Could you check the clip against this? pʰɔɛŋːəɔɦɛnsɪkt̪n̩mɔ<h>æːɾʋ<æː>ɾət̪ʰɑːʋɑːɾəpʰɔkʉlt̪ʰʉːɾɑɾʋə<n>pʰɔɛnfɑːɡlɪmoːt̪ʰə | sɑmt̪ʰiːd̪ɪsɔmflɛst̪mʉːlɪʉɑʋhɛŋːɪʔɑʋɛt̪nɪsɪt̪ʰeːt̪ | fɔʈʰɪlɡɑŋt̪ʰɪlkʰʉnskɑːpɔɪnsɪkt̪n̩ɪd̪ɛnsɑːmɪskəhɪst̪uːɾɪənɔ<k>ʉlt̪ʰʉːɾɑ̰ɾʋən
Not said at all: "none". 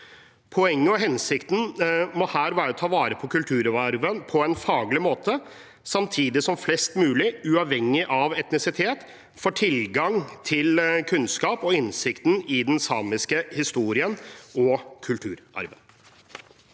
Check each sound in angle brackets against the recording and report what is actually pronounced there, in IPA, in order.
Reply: h, æː, n, kʰ

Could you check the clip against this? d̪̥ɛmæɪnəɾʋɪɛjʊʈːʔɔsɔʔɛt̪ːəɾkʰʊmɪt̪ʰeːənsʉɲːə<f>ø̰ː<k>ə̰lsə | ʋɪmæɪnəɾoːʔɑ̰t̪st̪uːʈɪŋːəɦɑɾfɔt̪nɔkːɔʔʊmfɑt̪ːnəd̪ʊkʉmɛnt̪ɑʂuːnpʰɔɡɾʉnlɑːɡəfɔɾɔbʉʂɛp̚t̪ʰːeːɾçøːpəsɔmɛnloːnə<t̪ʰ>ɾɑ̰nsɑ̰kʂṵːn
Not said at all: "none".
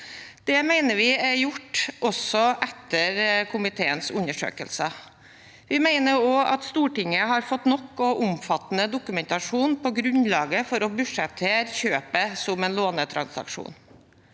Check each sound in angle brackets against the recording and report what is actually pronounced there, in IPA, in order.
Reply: ʂ, k, t̪ʰ

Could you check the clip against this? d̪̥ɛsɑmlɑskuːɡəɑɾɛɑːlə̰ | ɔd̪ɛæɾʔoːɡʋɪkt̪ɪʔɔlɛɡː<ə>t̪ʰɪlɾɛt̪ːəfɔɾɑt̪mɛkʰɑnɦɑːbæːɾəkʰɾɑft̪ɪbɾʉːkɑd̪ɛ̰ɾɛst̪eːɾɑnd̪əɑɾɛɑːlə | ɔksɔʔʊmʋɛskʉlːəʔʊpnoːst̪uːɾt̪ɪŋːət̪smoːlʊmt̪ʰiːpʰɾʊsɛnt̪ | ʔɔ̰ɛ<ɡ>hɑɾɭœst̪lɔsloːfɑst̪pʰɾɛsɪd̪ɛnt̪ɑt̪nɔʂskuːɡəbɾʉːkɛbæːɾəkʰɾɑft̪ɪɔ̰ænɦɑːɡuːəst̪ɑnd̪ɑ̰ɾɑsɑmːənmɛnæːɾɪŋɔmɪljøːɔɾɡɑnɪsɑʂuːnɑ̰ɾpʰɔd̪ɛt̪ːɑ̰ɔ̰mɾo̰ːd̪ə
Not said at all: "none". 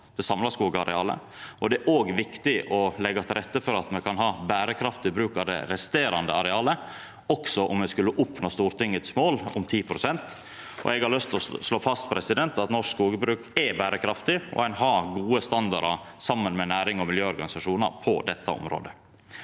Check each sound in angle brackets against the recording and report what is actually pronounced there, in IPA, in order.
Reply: ɑ, ɡ

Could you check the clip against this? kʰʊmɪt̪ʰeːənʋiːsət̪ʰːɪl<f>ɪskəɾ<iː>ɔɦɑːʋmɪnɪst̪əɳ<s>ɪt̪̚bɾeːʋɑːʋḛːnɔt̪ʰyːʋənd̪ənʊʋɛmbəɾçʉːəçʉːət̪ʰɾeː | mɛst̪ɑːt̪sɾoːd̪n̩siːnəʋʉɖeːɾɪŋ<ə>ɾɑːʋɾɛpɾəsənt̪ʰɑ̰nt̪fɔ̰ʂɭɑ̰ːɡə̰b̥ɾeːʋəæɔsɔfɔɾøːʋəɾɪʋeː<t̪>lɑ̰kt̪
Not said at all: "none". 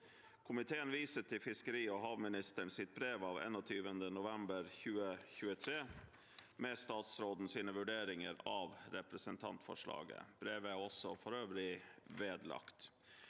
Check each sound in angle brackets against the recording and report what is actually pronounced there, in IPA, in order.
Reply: f, iː, s, ə, d̪

